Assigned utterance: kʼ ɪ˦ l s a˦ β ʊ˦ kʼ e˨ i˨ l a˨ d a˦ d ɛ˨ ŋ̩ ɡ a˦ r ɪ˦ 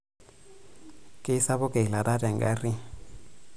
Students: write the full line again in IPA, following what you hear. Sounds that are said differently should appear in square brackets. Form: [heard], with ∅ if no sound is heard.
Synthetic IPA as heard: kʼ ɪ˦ [∅] s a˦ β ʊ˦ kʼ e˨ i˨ l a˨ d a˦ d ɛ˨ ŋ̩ ɡ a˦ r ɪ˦